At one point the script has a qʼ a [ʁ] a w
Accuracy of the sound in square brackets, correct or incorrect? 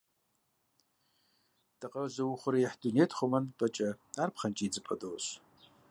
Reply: incorrect